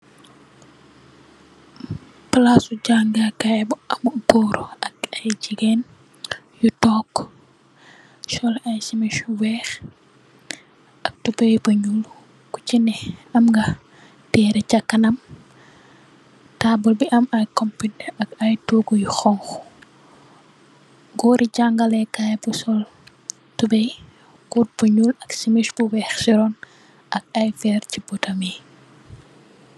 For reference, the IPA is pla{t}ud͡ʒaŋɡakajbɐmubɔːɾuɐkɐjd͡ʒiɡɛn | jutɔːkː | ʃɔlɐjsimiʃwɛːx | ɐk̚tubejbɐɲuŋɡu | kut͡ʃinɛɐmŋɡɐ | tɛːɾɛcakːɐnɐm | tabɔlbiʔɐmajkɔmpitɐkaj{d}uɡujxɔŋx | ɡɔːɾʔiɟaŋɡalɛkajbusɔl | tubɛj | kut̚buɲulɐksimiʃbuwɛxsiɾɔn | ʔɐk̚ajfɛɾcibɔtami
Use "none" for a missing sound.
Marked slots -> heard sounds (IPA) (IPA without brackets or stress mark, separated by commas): s, t